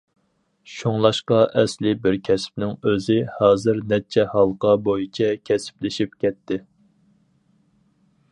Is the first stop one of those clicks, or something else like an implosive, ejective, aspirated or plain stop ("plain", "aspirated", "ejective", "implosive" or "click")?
plain